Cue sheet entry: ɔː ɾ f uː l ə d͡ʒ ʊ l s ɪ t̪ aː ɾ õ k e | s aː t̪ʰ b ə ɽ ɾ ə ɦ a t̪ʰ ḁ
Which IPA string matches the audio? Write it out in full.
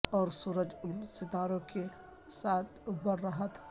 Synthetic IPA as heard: ɔː ɾ s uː ɾ ə d͡ʒ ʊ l s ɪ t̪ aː ɾ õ k e | s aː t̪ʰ b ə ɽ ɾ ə ɦ a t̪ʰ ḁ